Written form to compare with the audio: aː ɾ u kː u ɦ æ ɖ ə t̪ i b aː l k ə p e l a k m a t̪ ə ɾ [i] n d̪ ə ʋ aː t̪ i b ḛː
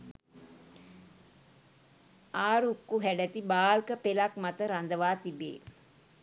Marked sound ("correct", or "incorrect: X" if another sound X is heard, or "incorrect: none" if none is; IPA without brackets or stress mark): incorrect: a